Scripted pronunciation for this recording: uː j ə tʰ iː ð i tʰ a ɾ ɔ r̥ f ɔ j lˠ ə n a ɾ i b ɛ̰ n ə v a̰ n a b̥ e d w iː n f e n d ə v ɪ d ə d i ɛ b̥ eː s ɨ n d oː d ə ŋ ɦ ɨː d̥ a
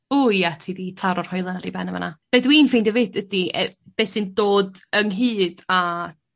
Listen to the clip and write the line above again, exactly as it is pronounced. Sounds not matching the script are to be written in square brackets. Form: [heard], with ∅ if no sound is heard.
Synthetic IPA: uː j [a] tʰ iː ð i tʰ a ɾ ɔ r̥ [h] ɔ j lˠ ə n a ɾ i b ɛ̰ n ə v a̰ n a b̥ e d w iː n f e n d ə v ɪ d ə d i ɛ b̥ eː s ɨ n d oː d ə ŋ ɦ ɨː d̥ a